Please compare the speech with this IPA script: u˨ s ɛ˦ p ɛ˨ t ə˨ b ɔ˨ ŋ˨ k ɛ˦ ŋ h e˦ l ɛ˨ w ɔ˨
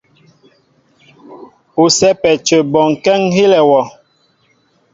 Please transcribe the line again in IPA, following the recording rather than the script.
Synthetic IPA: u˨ s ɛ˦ p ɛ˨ t͡ʃ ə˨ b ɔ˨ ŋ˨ k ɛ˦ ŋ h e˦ l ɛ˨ w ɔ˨